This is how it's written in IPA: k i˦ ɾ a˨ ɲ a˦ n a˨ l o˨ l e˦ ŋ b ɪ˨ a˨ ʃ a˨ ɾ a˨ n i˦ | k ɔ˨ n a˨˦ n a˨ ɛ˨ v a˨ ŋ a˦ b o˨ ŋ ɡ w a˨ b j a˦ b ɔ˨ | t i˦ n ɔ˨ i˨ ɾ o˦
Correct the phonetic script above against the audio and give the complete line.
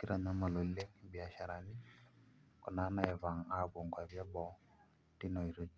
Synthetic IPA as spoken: k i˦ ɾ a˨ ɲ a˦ m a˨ l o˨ l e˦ ŋ b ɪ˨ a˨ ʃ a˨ ɾ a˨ n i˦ | k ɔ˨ n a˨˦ n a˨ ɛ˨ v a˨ ŋ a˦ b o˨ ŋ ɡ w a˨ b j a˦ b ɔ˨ | t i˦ n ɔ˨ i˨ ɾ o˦